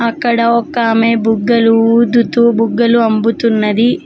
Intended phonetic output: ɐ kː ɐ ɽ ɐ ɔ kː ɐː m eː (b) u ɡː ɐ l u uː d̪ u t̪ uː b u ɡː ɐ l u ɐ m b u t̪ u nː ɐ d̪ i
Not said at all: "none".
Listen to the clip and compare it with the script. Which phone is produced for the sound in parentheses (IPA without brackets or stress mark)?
b